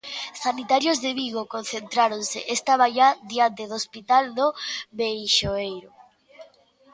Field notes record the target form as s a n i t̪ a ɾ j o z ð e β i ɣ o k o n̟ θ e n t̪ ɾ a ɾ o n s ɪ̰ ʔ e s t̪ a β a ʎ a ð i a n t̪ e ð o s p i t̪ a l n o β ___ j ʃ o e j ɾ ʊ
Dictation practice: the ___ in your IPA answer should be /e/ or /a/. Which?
e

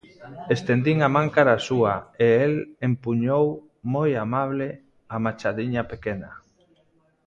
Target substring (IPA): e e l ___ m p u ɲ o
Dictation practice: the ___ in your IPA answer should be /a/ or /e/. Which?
e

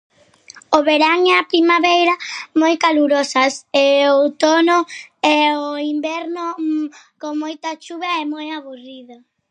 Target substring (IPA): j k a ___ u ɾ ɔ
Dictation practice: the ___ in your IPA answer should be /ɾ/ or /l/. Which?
l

